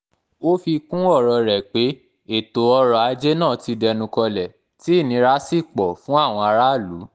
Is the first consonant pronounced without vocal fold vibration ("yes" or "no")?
yes